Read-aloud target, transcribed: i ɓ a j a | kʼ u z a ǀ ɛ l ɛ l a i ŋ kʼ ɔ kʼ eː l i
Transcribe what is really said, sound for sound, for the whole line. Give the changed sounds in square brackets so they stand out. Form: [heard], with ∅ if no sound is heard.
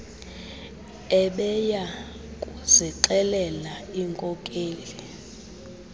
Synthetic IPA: [ɛ] ɓ [ɛ] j a | kʼ u z [i] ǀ ɛ l ɛ l a i ŋ kʼ ɔ kʼ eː l i